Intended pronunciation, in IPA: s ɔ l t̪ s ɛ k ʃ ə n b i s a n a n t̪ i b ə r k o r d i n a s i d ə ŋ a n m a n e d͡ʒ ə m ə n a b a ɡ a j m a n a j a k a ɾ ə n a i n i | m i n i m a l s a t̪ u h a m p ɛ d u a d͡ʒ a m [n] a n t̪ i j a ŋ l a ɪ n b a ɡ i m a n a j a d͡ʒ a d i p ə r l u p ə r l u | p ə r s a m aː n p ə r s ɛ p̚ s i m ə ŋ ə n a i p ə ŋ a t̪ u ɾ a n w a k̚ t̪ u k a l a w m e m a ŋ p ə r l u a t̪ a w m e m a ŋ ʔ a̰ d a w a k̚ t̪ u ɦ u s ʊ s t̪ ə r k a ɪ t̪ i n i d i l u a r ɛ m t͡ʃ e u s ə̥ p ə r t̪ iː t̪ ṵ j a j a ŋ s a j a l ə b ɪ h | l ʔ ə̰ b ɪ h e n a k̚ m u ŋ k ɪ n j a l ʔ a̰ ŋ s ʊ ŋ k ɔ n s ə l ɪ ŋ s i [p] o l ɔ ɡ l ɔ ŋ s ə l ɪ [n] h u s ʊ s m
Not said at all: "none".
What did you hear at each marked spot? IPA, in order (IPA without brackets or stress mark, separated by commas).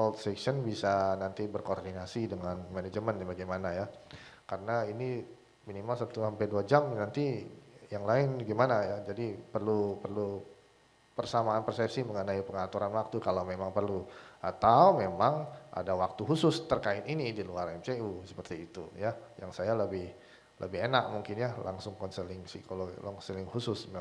n, k, ŋ